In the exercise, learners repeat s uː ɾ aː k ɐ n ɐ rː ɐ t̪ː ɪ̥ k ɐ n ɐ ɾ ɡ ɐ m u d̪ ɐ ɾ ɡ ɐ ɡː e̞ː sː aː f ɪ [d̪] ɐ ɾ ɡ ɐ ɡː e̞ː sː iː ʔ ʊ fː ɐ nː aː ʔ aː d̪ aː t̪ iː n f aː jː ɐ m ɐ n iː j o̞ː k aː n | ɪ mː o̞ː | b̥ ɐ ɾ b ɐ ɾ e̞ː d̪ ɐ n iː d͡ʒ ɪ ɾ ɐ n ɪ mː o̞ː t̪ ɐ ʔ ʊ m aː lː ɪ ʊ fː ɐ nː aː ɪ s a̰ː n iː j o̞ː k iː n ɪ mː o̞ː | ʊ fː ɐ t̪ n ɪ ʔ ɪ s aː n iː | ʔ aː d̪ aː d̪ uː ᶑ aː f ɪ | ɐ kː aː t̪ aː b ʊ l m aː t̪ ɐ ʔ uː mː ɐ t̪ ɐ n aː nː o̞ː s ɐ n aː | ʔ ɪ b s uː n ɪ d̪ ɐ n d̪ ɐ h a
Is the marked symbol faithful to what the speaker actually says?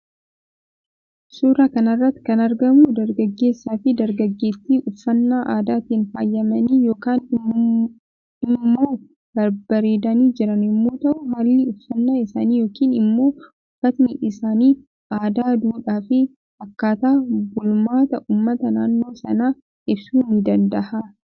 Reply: yes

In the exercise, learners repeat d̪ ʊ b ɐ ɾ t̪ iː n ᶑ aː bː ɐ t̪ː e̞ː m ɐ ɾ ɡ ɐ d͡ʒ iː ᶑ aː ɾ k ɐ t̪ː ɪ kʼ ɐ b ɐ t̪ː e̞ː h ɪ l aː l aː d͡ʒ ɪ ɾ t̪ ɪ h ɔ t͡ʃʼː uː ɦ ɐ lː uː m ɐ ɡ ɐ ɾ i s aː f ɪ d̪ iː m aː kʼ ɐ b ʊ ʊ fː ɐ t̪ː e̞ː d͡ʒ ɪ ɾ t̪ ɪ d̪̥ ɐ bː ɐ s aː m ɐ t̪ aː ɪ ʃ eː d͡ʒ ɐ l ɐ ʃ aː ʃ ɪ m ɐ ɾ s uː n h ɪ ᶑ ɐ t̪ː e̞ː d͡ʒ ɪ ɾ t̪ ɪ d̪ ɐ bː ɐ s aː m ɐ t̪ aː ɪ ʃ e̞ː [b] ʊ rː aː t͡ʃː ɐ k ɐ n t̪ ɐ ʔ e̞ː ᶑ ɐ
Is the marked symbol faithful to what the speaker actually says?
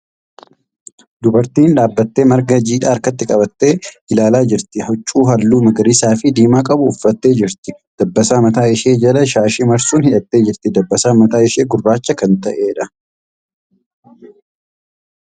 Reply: no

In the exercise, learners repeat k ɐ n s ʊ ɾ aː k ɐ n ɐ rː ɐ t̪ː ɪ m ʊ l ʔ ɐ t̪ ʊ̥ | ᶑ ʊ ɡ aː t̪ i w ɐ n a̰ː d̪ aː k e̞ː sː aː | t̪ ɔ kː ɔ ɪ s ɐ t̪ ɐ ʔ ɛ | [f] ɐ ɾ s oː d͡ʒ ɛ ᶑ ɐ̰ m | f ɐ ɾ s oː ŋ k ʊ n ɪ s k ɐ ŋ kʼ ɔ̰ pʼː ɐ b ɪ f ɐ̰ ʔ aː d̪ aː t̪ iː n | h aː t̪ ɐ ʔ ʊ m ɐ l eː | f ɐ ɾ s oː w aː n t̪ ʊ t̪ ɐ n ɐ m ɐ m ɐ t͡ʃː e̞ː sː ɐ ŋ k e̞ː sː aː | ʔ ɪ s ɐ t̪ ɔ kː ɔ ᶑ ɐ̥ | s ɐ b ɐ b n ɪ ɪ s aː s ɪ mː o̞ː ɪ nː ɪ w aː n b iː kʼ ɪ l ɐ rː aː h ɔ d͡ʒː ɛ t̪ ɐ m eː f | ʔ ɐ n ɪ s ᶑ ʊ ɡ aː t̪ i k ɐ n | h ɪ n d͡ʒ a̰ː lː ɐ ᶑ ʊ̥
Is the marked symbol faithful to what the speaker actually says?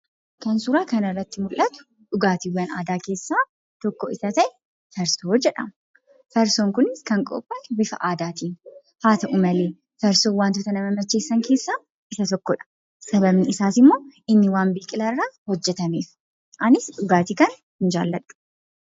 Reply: yes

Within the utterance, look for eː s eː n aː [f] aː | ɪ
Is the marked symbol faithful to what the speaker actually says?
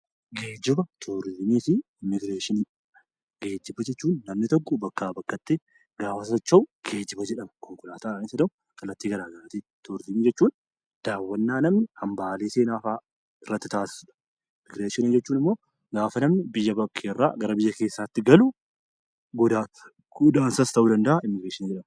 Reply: yes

